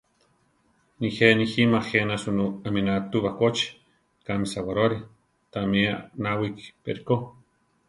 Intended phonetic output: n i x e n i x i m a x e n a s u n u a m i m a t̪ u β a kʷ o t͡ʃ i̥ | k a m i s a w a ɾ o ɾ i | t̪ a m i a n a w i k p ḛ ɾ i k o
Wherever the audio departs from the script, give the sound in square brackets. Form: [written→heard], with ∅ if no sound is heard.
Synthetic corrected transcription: n i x e n i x i m a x e n a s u n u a m i [m→n] a t̪ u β a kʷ o t͡ʃ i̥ | k a m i s a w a ɾ o ɾ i | t̪ a m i a n a w i k p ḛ ɾ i k o